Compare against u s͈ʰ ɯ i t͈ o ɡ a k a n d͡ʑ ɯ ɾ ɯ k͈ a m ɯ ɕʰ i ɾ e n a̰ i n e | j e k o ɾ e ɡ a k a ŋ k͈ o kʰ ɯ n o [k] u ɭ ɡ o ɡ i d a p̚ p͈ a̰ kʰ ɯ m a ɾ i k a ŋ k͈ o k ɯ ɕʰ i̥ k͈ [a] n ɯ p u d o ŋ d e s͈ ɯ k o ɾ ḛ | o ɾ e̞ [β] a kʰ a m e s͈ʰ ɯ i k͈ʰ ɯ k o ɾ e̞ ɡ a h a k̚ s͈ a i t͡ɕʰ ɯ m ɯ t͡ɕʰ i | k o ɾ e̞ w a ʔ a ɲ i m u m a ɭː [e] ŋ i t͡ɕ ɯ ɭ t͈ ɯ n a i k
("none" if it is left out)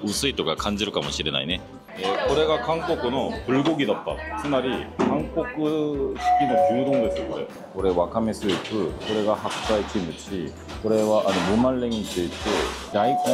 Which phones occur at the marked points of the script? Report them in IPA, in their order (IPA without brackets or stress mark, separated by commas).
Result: p, i, w, e